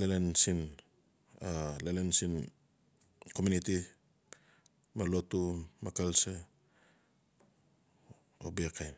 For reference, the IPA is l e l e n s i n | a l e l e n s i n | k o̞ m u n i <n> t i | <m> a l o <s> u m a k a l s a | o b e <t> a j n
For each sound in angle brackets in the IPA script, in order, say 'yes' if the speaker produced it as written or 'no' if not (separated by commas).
no, yes, no, no